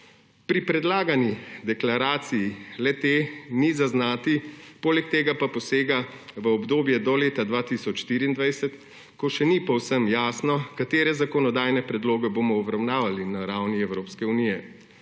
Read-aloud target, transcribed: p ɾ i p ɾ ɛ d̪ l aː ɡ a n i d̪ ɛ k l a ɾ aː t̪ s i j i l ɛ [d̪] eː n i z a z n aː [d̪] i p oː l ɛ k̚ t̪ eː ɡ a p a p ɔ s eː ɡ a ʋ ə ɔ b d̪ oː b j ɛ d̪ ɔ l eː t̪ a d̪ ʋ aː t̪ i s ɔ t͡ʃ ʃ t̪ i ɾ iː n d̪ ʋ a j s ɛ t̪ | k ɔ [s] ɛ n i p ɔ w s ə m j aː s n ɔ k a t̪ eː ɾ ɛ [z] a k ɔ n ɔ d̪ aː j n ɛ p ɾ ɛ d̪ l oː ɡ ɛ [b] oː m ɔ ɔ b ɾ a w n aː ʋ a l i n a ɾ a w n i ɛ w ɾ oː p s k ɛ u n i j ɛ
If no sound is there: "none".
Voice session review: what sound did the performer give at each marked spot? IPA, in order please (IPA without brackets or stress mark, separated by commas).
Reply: t̪, t̪, ʃ, z, b